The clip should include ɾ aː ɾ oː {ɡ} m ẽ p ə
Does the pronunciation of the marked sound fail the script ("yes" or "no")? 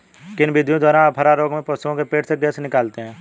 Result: no